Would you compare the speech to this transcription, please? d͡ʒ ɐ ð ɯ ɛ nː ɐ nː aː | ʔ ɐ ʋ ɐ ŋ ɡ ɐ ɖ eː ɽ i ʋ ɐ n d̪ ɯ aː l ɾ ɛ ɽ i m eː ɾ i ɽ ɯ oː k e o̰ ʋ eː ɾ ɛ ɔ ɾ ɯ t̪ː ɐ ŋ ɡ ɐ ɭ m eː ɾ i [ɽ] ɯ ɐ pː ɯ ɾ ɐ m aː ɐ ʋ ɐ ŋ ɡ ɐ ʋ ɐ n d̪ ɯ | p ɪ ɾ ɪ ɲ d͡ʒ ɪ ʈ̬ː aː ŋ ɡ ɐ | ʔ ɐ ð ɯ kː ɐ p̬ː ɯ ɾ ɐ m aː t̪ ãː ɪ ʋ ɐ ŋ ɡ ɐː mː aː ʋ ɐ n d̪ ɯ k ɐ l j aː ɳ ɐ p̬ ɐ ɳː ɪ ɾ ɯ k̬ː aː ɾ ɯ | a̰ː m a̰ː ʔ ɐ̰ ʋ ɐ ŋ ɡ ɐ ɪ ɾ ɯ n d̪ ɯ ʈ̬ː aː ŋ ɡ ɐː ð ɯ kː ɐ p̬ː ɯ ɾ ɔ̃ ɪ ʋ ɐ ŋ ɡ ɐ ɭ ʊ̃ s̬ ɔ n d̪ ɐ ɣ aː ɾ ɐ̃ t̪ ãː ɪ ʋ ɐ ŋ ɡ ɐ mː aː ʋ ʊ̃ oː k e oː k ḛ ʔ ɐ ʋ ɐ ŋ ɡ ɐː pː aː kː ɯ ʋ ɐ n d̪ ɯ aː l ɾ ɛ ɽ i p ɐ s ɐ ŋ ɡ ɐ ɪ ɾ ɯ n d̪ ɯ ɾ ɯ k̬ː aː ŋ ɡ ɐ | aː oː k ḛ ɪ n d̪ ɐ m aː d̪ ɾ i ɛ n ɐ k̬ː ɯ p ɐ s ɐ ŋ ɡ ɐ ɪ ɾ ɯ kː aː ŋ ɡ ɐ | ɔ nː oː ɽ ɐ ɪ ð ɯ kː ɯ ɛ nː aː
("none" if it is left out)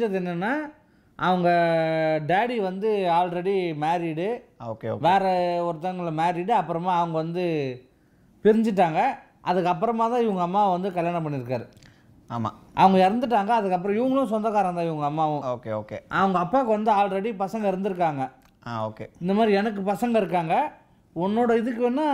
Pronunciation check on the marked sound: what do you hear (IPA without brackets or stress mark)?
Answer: ɽ